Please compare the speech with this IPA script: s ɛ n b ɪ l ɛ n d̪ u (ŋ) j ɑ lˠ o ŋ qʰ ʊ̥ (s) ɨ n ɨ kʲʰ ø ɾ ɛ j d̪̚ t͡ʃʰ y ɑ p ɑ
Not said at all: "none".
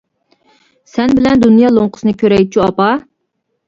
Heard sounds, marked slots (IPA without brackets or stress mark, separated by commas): n, s